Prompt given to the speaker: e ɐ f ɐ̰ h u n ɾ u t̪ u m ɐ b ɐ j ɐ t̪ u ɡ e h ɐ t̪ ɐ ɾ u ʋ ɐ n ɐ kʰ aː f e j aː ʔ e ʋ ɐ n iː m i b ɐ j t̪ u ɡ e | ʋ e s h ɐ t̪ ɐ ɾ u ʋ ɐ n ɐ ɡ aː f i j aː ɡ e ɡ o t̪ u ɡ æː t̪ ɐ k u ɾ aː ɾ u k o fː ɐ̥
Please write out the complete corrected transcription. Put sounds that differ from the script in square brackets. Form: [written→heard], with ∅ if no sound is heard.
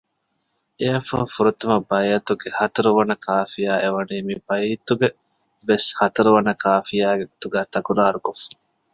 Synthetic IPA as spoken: e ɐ f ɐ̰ [h→f] u [n→∅] ɾ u t̪ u m ɐ b ɐ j ɐ t̪ u ɡ e h ɐ t̪ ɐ ɾ u ʋ ɐ n ɐ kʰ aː f [e→i] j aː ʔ e ʋ ɐ n iː m i b ɐ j t̪ u ɡ e | ʋ e s h ɐ t̪ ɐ ɾ u ʋ ɐ n ɐ [ɡ→k] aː f i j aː ɡ e ɡ o t̪ u ɡ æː t̪ ɐ k u ɾ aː ɾ u k o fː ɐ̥